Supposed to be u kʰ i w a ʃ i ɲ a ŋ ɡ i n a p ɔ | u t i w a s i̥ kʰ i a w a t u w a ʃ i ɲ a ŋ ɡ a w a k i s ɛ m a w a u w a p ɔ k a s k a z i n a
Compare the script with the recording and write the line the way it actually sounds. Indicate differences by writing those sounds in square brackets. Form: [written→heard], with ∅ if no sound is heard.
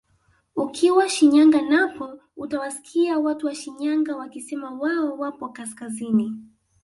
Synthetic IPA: u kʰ i w a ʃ i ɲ a ŋ ɡ [i→a] n a p ɔ | u t [i→a] w a s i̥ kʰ i a w a t u w a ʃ i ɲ a ŋ ɡ a w a k i s ɛ m a w a [u→ɔ] w a p ɔ k a s k a z i n [a→i]